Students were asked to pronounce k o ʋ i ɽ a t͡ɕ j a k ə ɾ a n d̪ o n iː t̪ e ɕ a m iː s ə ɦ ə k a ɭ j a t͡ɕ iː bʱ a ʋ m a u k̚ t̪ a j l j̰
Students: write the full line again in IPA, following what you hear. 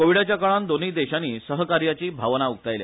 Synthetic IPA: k o ʋ i ɽ a t͡ɕ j a k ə ɭ a n d̪ o n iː d̪ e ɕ a n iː s ə ɦ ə k a ɾ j a t͡ɕ iː bʱ a ʋ n a u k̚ t̪ a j l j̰